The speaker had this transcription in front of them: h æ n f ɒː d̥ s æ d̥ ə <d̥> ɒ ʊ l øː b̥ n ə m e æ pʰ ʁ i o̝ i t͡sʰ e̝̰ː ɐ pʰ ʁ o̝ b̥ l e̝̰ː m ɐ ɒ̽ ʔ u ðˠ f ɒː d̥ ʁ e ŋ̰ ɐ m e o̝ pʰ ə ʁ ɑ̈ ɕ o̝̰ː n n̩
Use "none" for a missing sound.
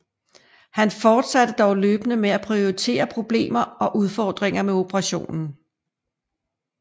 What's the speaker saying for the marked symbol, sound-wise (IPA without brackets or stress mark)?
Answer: d̥